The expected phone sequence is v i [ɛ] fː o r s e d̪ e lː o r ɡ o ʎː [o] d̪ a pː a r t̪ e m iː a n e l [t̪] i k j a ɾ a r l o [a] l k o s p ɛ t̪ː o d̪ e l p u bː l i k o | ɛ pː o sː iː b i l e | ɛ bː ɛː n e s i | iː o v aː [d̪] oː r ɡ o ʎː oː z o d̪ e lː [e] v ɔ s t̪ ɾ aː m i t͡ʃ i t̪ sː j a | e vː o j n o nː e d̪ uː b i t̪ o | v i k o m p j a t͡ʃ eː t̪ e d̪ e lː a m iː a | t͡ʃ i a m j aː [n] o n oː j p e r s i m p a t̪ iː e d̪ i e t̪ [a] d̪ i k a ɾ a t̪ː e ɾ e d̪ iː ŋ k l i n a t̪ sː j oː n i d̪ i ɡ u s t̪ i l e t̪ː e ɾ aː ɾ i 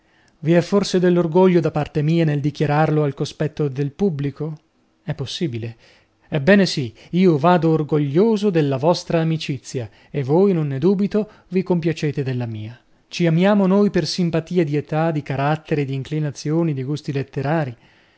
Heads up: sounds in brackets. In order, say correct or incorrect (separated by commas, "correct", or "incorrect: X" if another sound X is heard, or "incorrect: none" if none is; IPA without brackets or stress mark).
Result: correct, correct, incorrect: d̪, correct, correct, incorrect: a, incorrect: m, correct